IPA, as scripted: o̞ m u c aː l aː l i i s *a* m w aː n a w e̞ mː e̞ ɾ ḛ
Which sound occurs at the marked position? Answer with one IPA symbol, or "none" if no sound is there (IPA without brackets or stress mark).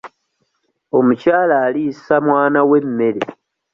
a